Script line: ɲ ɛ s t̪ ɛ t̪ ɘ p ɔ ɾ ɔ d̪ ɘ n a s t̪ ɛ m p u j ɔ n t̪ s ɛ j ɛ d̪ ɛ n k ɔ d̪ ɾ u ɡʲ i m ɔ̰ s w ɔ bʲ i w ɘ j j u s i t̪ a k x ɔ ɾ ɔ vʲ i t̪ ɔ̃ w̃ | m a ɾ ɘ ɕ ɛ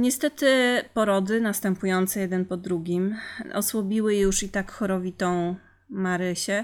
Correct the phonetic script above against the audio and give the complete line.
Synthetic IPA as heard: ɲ ɛ s t̪ ɛ t̪ ɘ p ɔ ɾ ɔ d̪ ɘ n a s t̪ ɛ m p u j ɔ n t̪ s ɛ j ɛ d̪ ɛ n p ɔ d̪ ɾ u ɡʲ i m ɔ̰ s w ɔ bʲ i w ɘ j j u ʂ i t̪ a k x ɔ ɾ ɔ vʲ i t̪ ɔ̃ w̃ | m a ɾ ɘ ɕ ɛ